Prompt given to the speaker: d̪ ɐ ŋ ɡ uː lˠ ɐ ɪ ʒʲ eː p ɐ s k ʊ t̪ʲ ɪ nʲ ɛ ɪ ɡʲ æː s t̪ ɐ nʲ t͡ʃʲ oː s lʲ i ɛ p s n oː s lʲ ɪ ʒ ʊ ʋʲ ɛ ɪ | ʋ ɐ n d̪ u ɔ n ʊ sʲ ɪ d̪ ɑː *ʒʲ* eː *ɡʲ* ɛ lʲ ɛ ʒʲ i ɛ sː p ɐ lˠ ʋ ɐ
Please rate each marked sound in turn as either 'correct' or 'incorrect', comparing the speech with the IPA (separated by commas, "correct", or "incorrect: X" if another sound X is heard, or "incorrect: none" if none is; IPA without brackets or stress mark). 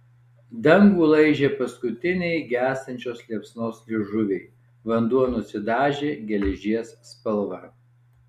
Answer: correct, correct